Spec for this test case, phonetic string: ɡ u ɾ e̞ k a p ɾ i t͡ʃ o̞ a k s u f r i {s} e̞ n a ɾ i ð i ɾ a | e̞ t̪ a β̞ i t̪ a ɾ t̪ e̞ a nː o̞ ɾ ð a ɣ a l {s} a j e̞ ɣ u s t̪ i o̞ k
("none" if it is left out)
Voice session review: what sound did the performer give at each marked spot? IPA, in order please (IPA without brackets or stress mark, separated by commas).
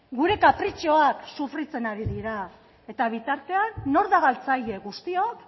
t͡s, t͡s